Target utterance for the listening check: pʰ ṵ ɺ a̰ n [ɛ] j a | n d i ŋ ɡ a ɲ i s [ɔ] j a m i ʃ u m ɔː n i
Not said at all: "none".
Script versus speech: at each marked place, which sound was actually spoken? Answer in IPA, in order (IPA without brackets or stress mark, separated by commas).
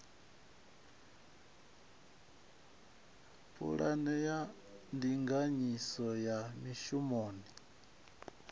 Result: ɛ, ɔ